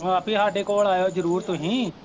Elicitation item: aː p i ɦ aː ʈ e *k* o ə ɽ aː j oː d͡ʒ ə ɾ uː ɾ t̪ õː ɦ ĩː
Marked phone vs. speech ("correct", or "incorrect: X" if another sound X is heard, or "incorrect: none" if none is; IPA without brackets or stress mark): correct